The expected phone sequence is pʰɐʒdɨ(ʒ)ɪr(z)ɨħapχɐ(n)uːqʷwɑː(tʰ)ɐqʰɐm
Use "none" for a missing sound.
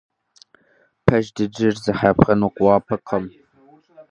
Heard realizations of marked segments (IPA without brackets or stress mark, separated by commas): d͡ʒ, z, n, pʰ